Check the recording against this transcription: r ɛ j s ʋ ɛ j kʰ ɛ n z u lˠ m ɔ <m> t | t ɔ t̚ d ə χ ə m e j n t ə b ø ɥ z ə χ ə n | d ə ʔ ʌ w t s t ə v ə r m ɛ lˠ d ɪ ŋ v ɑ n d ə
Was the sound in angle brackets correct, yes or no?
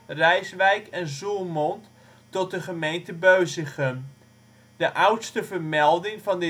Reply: no